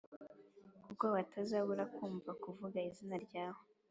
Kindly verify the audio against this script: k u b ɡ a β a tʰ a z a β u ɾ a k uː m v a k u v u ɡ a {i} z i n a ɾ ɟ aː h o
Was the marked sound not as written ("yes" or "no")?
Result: no